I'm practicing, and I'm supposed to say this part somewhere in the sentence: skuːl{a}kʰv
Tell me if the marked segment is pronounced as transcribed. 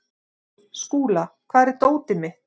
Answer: yes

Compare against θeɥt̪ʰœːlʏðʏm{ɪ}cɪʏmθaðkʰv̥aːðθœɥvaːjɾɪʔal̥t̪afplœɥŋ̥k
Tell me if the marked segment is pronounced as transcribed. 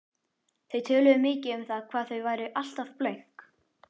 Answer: no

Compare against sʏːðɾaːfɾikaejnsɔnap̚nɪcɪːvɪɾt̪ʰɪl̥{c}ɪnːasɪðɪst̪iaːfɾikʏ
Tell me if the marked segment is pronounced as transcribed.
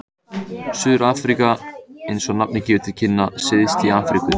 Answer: no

